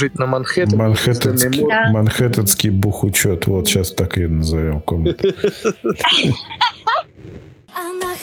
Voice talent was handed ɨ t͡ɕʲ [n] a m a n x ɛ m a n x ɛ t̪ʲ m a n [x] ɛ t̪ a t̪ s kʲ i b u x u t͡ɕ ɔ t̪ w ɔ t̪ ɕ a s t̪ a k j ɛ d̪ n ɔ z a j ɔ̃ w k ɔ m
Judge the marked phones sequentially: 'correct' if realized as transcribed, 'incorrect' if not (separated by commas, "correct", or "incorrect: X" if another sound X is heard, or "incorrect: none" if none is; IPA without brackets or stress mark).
correct, correct